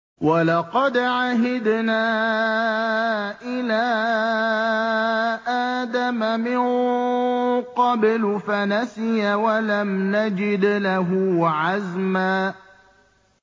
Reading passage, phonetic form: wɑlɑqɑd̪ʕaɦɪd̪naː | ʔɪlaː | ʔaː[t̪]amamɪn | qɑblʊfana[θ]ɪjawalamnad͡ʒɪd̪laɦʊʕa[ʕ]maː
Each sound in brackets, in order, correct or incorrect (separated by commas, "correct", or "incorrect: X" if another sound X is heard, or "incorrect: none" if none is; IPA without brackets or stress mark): incorrect: d̪, incorrect: s, incorrect: z